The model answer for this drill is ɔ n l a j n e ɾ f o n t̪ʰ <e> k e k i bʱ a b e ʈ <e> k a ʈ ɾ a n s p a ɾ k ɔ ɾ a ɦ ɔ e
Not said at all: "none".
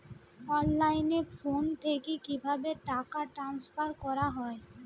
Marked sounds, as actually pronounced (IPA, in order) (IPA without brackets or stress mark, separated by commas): e, a